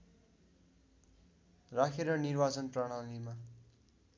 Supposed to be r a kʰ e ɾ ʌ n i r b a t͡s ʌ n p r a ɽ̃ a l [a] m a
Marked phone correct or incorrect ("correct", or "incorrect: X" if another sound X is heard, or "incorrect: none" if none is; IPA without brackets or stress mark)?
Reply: incorrect: i